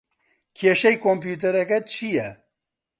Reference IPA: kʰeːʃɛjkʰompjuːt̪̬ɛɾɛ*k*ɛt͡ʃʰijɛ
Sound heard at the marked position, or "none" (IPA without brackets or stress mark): k